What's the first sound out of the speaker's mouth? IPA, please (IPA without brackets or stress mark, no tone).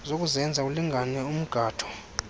z